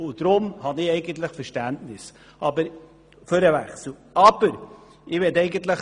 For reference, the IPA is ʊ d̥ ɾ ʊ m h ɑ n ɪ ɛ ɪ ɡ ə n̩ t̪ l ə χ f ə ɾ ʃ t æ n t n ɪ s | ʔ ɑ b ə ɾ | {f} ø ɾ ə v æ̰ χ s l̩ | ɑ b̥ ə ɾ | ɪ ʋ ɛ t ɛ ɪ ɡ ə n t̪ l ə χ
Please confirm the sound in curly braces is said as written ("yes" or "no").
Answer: yes